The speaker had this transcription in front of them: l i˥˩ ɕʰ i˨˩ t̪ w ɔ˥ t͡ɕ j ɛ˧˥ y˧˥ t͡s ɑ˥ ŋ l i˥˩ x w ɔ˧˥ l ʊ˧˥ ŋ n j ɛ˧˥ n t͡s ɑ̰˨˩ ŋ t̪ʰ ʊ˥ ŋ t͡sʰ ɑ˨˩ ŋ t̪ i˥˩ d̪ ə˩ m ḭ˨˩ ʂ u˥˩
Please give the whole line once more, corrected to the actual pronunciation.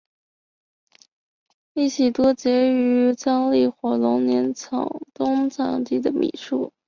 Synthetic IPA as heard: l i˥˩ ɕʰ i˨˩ t̪ w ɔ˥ t͡ɕ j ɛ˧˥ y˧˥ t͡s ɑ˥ ŋ l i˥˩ x w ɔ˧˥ l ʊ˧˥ ŋ n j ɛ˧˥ n t͡sʰ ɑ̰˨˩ ŋ t̪ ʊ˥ ŋ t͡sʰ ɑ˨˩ ŋ t̪ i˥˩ d̪ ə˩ m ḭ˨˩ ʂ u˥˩

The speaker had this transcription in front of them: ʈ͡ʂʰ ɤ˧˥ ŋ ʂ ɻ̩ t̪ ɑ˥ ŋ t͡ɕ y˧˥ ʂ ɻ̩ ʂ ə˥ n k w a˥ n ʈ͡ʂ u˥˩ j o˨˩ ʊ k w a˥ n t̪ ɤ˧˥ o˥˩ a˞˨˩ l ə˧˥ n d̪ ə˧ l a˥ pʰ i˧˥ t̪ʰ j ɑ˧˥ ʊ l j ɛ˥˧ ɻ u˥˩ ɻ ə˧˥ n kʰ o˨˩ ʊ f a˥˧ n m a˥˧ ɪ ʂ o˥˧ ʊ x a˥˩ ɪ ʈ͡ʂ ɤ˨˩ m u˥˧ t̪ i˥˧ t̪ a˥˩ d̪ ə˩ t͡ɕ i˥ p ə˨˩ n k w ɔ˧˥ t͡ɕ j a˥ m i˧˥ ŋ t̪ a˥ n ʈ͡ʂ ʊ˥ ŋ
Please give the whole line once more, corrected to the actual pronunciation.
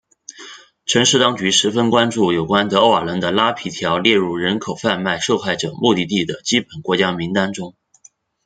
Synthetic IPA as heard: ʈ͡ʂʰ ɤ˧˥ ŋ ʂ ɻ̩ t̪ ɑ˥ ŋ t͡ɕ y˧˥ ʂ ɻ̩ f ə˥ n k w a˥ n ʈ͡ʂ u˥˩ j o˨˩ ʊ k w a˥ n t̪ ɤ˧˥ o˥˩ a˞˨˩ l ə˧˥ n d̪ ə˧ l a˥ pʰ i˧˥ t̪ʰ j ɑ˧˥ ʊ l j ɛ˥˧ ɻ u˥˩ ɻ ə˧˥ n kʰ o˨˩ ʊ f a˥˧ n m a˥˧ ɪ ʂ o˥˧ ʊ x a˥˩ ɪ ʈ͡ʂ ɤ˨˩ m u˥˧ t̪ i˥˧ t̪ i˥˩ d̪ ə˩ t͡ɕ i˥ p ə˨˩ n k w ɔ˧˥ t͡ɕ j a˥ m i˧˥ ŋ t̪ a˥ n ʈ͡ʂ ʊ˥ ŋ

